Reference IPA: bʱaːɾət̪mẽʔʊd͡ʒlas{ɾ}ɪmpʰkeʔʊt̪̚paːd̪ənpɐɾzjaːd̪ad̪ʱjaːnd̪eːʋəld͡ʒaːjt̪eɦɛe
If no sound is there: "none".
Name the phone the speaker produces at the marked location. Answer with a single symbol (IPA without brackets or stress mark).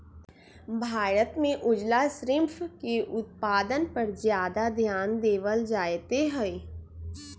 ɾ